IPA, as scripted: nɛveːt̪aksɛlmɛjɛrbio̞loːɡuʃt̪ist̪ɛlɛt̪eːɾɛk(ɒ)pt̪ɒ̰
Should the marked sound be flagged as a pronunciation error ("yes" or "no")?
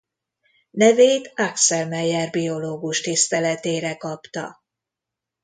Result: no